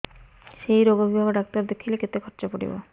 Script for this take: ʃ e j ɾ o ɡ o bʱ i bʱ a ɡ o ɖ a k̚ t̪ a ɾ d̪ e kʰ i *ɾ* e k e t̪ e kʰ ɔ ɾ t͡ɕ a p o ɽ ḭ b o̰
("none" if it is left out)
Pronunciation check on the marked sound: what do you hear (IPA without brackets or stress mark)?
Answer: l